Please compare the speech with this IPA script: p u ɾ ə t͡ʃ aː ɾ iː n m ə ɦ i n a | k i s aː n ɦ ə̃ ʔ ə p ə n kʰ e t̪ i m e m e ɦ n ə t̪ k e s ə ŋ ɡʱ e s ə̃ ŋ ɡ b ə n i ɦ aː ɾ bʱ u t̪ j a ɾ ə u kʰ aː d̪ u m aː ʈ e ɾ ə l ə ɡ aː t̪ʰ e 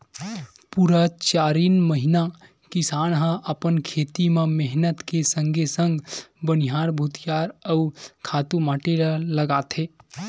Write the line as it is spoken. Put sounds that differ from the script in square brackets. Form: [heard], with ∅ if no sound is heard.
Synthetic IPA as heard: p u ɾ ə t͡ʃ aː ɾ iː n m ə ɦ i n a | k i s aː n ɦ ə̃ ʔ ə p ə n kʰ e t̪ i m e m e ɦ n ə t̪ k e s ə ŋ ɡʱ e s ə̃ ŋ ɡ b ə n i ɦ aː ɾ bʱ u t̪ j a ɾ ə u kʰ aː [t̪] u m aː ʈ e ɾ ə l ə ɡ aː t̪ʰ e